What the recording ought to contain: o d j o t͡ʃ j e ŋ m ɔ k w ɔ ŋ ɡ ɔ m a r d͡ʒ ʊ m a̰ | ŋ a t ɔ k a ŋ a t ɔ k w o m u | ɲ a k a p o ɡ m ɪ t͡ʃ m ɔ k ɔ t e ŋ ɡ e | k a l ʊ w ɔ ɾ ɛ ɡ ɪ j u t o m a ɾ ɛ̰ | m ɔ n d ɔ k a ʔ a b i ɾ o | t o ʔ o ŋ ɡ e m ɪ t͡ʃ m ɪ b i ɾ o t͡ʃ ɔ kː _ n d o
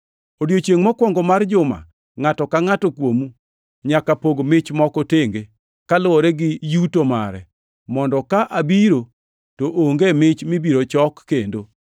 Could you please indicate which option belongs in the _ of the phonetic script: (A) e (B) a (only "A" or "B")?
A